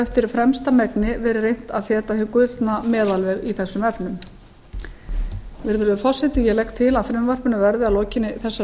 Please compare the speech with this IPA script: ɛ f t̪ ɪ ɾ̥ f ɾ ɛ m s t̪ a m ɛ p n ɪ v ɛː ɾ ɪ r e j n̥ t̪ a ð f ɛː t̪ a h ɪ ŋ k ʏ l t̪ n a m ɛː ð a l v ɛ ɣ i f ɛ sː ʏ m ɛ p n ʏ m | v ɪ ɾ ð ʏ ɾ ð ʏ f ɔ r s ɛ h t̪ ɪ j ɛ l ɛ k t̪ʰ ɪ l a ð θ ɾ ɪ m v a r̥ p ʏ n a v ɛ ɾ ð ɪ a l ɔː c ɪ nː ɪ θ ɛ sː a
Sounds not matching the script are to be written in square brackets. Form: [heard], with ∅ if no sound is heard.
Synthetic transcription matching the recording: ɛ f t̪ ɪ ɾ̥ f ɾ ɛ m s t̪ a m ɛ [k] n ɪ v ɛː ɾ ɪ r e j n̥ t̪ a ð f ɛː t̪ a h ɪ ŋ k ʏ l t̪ n a m ɛː ð a l v ɛ ɣ i [θ] ɛ sː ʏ m ɛ p n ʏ m | v ɪ ɾ ð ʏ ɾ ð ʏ f ɔ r s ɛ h t̪ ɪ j ɛ l ɛ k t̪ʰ ɪ l a ð [f] ɾ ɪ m v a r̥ p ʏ n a v ɛ ɾ ð ɪ a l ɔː c ɪ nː ɪ θ ɛ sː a